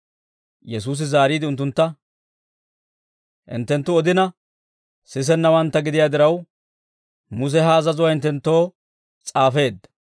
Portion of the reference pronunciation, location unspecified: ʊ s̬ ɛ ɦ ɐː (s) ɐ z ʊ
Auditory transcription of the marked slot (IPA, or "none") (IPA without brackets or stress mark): z